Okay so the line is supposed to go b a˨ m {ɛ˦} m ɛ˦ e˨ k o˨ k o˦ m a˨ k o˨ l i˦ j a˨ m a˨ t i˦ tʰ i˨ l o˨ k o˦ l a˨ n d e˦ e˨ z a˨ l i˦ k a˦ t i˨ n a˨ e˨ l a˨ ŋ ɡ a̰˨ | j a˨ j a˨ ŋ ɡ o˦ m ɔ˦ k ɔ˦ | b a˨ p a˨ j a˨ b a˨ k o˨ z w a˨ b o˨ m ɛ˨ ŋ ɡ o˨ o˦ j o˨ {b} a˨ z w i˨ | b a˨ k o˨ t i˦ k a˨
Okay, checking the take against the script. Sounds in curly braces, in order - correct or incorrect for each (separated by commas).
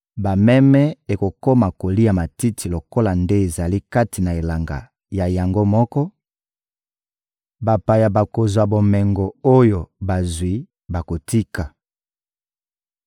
correct, correct